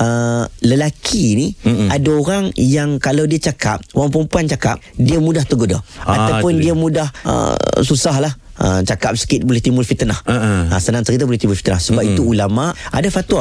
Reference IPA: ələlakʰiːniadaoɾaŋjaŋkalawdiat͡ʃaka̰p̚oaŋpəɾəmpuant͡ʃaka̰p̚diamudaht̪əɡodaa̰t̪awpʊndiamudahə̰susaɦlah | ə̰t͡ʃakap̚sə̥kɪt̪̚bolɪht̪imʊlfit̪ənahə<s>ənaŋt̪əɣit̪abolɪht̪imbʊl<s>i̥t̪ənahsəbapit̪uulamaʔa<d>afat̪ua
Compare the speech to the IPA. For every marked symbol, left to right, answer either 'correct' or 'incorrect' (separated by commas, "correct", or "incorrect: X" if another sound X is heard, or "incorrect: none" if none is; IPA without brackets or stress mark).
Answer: correct, incorrect: f, correct